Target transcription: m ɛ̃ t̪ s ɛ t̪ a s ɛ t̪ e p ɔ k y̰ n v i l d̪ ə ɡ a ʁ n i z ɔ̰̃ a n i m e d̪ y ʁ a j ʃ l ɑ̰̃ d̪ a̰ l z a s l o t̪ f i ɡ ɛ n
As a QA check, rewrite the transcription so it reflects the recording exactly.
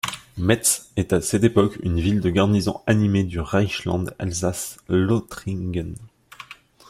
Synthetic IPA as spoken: m ɛ t̪ s ɛ t̪ a s ɛ t̪ e p ɔ k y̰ n v i l d̪ ə ɡ a ʁ n i z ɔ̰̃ a n i m e d̪ y ʁ a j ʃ l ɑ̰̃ d̪ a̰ l z a s l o t̪ χ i ɡ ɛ n